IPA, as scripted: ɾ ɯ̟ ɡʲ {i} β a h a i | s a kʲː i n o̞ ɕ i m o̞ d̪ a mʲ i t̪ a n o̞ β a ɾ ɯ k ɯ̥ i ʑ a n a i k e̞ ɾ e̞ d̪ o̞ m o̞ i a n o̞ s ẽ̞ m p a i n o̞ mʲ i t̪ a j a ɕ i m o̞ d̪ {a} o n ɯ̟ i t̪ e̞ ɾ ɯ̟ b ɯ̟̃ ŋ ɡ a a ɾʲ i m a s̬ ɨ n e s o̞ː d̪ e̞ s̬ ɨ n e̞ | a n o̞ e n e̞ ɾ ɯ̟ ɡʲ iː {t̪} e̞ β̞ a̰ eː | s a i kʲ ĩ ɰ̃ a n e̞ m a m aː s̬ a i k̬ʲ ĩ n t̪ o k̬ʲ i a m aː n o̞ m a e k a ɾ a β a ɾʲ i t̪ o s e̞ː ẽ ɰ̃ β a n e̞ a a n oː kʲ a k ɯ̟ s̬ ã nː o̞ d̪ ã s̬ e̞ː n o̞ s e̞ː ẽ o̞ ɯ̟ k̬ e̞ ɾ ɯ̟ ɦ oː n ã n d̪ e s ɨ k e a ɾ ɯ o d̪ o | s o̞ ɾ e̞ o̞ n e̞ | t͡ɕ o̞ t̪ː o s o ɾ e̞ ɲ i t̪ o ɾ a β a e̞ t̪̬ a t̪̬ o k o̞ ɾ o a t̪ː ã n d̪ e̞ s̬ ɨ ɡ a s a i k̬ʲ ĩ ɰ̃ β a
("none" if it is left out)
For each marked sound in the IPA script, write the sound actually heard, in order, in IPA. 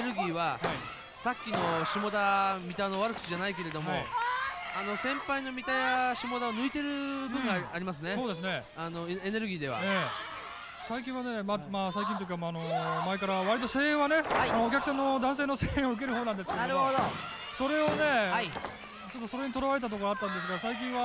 iː, a, d̪

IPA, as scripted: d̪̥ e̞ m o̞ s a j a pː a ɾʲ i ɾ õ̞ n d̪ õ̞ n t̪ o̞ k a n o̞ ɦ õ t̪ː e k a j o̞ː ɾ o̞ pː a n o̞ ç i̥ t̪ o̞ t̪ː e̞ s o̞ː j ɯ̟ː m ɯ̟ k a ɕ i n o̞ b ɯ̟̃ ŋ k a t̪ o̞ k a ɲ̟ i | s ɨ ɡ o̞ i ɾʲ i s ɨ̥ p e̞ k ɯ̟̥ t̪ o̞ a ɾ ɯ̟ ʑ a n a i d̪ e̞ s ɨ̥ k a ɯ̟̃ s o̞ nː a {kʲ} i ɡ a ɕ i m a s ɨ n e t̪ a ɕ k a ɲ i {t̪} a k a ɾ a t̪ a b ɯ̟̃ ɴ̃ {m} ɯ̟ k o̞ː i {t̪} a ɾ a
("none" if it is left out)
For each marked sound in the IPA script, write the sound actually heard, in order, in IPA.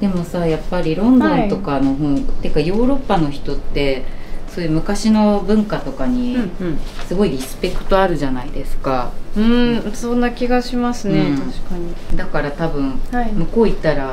kʲ, d̪, m, t̪

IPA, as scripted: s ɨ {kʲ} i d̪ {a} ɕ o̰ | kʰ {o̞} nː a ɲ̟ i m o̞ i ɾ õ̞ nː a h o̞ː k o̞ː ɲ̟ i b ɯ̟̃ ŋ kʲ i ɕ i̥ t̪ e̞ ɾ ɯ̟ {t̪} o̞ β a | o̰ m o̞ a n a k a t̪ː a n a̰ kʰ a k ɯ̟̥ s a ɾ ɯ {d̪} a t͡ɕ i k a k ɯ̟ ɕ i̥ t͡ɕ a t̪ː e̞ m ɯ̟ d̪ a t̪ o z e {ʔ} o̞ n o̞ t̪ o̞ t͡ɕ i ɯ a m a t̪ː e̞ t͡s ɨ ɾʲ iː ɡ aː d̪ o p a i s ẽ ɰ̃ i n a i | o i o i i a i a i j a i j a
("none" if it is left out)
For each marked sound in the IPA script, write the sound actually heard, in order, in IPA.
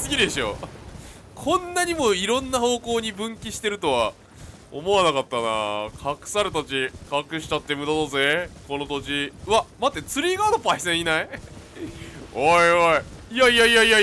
ɡʲ, e, õ̞, t̪, t̪, k

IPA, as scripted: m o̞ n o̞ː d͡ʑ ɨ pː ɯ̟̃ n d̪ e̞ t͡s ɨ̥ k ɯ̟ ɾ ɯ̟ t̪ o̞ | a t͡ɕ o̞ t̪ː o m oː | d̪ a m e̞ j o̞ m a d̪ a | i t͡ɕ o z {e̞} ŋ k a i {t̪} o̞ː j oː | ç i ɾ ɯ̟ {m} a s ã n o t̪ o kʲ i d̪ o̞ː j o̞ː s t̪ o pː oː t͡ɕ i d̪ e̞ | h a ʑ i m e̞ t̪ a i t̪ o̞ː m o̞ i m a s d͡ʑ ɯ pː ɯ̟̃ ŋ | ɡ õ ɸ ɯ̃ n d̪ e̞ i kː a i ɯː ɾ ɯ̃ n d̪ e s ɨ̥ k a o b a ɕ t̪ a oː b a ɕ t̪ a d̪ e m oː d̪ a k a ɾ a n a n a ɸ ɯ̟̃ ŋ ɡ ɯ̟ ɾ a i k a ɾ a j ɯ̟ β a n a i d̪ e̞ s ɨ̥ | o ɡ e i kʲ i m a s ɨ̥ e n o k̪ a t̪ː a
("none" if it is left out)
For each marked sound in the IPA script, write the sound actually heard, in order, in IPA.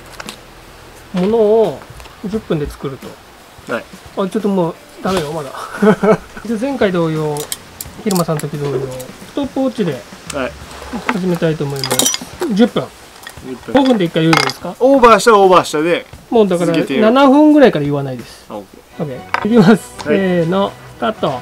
ẽ̞, d̪, m

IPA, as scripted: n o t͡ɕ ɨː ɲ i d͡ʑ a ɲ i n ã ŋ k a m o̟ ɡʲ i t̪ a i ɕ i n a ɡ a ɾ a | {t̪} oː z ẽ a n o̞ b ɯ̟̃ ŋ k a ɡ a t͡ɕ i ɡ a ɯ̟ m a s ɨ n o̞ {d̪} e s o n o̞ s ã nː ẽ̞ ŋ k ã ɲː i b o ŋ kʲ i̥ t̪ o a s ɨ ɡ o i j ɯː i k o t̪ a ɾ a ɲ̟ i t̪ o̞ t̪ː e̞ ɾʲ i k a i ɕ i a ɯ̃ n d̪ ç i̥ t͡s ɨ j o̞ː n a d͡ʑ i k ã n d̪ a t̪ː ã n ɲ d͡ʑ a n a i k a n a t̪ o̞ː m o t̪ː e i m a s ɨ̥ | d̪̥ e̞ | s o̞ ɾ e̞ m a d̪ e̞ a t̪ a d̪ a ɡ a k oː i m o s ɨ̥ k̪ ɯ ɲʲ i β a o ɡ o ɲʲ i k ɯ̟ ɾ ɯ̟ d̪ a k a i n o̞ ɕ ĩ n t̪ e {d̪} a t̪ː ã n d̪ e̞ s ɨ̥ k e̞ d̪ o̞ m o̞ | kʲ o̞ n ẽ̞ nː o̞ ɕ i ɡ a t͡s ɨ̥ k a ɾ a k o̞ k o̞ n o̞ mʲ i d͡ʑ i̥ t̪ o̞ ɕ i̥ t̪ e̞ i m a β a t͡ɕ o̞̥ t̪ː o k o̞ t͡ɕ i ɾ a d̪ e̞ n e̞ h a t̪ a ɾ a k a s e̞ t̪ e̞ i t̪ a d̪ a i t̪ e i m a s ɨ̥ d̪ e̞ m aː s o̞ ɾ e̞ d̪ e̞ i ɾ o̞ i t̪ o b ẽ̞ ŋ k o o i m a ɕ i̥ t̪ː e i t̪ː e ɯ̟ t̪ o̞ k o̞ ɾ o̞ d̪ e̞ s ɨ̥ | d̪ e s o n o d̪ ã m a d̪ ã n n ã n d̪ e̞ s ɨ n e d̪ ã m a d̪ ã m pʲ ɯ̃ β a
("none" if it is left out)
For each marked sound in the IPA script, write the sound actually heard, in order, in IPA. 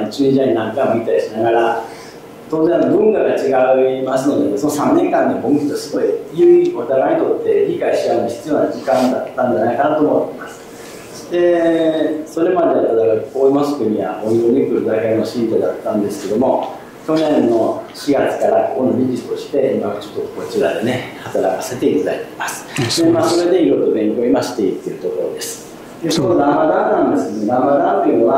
t̪, d̪, d̪

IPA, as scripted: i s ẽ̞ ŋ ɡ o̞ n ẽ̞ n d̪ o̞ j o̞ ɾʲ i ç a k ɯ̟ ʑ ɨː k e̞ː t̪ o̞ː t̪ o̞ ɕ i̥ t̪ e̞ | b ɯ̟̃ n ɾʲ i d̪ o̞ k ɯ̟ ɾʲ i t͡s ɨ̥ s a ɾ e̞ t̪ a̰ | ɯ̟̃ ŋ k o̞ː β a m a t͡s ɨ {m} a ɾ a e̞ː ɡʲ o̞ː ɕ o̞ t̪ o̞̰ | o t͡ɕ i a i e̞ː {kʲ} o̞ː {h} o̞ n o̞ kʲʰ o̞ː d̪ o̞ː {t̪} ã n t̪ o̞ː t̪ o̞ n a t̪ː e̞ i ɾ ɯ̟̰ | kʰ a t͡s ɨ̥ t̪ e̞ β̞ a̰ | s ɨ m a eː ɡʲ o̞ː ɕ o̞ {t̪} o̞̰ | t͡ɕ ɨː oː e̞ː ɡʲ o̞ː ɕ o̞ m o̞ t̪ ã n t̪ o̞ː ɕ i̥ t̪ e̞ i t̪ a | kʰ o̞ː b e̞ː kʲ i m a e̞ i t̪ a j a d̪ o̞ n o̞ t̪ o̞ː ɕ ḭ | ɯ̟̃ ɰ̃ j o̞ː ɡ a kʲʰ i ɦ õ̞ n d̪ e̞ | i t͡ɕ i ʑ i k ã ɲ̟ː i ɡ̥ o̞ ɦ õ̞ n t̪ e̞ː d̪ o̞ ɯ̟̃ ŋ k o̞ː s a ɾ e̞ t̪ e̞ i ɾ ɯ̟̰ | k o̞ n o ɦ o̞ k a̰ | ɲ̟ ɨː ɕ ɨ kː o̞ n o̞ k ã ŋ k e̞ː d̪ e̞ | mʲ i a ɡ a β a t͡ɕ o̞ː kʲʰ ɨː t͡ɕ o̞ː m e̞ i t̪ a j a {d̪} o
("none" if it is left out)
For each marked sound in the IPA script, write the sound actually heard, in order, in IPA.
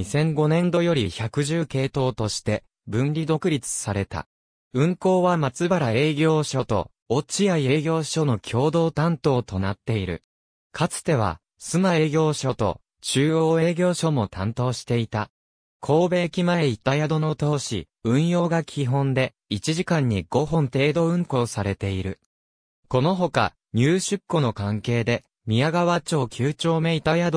b, ɡʲ, ɕ, t̪, t̪, d̪

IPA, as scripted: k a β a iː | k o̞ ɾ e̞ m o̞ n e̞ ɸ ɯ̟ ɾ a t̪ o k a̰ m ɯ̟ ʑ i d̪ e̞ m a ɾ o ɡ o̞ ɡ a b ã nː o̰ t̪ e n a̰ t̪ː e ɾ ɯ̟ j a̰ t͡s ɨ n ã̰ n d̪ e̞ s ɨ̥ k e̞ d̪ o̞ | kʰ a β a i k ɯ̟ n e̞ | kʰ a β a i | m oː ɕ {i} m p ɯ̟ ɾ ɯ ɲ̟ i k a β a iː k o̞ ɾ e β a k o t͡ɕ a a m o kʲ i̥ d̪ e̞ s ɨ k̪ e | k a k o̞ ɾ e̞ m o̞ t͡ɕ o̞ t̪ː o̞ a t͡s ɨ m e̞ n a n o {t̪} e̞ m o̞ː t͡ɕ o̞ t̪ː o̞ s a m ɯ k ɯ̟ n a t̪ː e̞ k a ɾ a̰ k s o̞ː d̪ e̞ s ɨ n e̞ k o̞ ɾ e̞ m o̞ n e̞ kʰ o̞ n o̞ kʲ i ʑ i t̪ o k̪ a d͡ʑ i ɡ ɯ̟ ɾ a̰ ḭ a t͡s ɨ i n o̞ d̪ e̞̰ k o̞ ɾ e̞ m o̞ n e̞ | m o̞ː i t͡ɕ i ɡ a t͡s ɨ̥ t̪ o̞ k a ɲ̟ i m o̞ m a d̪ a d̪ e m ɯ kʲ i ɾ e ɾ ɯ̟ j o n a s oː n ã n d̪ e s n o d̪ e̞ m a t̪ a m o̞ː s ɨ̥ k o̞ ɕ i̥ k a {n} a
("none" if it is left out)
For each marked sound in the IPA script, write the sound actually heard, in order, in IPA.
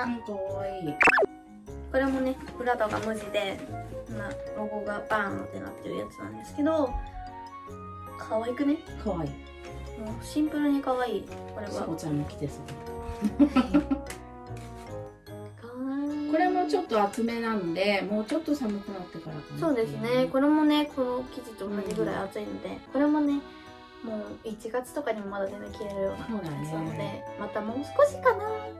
ĩ, d̪, n

